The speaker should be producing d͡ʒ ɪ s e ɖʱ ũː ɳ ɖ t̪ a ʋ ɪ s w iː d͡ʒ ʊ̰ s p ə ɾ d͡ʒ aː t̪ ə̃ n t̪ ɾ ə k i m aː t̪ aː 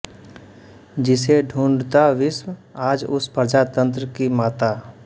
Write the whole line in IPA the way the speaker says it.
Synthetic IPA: d͡ʒ ɪ s e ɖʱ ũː ɳ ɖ t̪ a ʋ ɪ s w aː d͡ʒ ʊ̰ s p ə ɾ d͡ʒ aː t̪ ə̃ n t̪ ɾ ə k i m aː t̪ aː